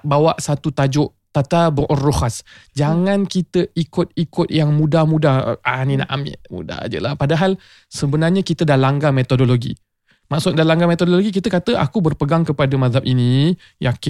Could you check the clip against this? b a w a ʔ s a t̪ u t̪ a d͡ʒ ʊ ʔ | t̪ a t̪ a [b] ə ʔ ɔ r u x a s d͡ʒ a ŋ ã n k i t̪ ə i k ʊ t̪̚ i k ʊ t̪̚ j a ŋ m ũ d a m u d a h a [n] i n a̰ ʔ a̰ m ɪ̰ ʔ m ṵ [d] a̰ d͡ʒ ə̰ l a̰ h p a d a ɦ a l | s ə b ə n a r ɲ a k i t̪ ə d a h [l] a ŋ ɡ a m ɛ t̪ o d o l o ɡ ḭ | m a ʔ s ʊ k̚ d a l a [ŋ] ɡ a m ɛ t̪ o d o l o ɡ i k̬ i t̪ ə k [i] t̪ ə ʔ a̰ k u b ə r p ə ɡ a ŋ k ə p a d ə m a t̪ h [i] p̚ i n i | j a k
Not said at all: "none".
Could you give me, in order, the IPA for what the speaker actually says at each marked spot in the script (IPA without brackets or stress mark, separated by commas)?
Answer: b, n, d, l, ŋ, a, a